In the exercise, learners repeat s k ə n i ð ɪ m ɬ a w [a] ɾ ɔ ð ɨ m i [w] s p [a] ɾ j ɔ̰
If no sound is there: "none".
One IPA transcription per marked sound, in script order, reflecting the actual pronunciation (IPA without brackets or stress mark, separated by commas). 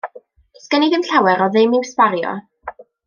ɛ, w, a